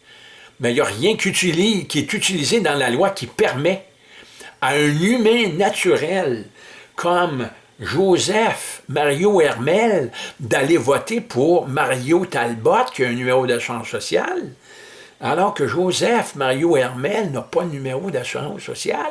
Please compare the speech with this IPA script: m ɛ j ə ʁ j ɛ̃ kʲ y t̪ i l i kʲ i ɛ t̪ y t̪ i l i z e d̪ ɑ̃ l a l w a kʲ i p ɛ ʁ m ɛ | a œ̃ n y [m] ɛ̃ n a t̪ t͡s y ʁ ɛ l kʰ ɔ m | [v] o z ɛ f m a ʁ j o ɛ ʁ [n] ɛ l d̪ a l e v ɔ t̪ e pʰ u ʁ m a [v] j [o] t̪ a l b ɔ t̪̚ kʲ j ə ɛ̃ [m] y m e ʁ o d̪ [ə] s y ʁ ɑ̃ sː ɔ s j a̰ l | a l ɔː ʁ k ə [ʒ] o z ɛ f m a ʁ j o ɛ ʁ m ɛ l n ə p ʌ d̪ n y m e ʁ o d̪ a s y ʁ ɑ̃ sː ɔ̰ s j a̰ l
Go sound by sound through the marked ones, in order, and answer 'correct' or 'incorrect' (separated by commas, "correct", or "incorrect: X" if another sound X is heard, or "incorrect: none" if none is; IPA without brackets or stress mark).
correct, incorrect: ʒ, incorrect: m, incorrect: ʁ, correct, incorrect: n, incorrect: a, correct